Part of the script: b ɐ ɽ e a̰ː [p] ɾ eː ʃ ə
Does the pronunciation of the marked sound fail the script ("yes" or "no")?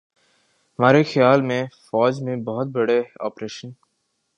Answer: no